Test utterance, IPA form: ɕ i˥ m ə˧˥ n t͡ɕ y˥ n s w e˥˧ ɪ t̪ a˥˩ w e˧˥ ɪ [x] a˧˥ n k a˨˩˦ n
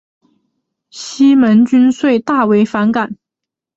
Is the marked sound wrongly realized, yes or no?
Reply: yes